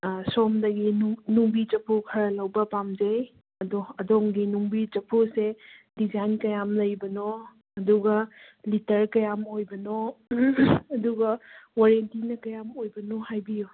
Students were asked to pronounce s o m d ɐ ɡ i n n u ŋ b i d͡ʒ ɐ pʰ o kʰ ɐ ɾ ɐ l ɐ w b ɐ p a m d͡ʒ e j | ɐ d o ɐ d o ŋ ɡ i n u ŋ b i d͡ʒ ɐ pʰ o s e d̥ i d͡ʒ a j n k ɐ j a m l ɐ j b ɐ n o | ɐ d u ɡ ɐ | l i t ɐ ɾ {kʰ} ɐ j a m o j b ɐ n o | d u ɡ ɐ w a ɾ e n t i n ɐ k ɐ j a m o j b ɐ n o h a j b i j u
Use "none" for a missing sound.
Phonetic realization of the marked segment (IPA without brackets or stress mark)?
k